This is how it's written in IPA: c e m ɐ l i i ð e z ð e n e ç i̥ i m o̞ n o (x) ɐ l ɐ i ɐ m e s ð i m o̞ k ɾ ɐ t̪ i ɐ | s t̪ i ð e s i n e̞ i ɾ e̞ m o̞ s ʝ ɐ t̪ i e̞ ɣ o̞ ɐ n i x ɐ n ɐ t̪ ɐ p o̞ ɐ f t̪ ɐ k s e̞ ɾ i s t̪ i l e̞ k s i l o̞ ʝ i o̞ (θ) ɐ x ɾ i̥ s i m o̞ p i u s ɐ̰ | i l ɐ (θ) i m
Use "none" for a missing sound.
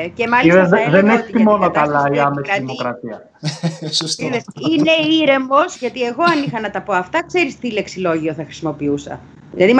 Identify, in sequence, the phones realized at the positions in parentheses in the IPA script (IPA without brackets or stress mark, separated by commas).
k, θ, ð